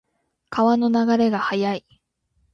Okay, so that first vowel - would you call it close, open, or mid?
open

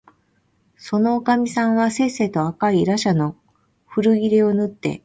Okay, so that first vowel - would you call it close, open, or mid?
mid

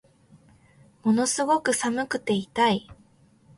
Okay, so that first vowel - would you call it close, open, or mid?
mid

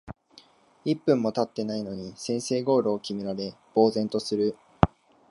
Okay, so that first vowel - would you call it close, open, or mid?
close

